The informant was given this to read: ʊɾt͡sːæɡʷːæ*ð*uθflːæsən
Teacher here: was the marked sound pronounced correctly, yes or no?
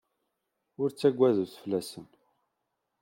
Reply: yes